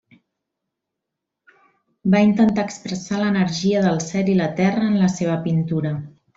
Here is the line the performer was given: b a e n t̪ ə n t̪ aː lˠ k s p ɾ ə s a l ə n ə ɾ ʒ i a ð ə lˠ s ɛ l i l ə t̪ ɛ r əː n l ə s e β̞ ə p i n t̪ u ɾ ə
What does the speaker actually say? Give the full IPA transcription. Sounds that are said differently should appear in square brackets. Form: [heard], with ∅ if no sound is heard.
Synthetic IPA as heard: b a [i] n t̪ ə n t̪ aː [∅] k s p ɾ ə s a l ə n ə ɾ ʒ i [ə] ð ə lˠ s ɛ l i l ə t̪ ɛ r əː n l ə s e β̞ ə p i n t̪ u ɾ ə